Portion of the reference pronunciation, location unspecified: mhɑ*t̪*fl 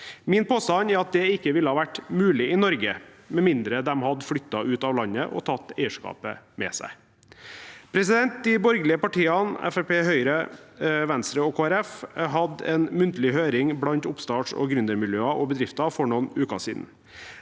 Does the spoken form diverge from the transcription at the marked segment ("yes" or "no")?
yes